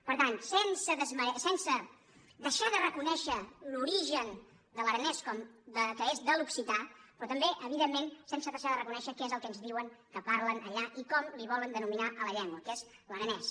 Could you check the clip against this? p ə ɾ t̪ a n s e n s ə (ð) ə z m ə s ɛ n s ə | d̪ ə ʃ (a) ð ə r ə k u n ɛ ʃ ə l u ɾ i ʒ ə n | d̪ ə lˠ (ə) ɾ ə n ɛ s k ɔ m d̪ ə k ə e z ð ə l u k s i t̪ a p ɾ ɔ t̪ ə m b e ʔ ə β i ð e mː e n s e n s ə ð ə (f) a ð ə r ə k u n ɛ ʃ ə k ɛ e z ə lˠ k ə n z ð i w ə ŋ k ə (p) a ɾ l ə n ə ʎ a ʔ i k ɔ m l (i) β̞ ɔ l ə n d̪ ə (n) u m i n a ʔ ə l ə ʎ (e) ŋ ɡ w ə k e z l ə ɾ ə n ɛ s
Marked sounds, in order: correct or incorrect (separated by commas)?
correct, correct, correct, incorrect, correct, correct, correct, incorrect